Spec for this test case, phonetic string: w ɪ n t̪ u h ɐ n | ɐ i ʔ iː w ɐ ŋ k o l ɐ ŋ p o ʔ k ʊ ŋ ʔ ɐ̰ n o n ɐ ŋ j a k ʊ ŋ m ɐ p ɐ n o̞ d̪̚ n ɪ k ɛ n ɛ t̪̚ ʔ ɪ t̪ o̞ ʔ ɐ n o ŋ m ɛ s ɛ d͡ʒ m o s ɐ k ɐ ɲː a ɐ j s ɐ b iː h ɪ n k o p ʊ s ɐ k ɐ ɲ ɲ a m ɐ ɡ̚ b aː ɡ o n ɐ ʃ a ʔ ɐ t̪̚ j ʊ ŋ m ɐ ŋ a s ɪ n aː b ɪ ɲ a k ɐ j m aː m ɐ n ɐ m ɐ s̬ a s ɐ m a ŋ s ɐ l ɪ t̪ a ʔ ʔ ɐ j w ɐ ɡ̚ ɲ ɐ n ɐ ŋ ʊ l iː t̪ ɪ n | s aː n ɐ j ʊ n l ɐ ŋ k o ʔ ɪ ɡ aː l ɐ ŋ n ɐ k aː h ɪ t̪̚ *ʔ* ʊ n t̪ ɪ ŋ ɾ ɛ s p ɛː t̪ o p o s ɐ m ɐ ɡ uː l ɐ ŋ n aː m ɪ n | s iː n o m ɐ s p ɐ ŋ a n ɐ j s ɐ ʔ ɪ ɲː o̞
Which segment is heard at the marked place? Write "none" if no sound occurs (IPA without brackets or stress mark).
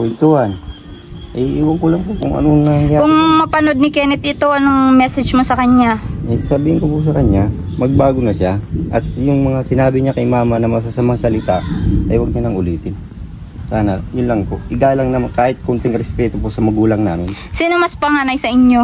k